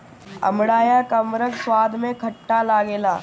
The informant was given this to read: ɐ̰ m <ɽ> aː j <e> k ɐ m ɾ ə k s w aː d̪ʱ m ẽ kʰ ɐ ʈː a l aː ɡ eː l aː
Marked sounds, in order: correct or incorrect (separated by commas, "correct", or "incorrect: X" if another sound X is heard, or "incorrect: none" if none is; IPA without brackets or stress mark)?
correct, incorrect: a